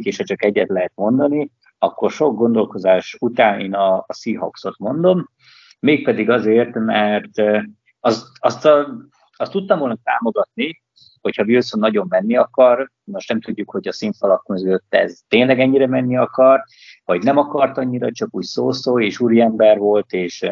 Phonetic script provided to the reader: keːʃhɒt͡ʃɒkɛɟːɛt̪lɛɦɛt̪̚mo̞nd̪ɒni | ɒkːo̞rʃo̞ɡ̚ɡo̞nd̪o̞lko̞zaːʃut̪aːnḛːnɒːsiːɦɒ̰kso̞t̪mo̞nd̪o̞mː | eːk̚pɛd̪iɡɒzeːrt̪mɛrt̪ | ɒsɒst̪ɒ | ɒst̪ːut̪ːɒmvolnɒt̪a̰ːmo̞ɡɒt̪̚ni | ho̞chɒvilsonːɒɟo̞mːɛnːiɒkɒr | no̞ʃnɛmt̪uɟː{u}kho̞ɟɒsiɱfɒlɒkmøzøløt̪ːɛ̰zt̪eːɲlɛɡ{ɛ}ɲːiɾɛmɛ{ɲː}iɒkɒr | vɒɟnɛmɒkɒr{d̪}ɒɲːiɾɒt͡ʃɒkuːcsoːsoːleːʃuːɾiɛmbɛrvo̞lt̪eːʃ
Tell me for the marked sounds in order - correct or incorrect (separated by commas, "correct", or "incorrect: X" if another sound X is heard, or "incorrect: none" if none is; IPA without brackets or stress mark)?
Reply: correct, correct, incorrect: nː, incorrect: t̪